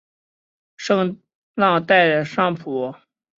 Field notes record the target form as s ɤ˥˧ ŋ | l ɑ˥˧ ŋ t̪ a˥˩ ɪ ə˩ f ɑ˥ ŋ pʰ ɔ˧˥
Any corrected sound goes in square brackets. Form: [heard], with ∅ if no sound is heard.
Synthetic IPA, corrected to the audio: [ʂ] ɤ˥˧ ŋ | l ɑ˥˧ ŋ t̪ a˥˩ ɪ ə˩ [ʂ] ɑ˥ ŋ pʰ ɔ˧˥